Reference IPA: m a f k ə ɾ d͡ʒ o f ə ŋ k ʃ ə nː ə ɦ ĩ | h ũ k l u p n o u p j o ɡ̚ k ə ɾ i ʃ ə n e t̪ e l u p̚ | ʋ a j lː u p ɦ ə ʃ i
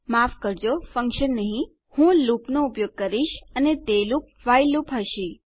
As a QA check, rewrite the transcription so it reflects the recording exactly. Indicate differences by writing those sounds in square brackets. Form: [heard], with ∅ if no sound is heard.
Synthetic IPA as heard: m a f k ə ɾ d͡ʒ o f ə ŋ k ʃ ə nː ə ɦ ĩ | h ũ [∅] l u p n o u p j o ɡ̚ k ə ɾ i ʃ ə n e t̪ e l u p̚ | ʋ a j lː u p ɦ ə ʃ i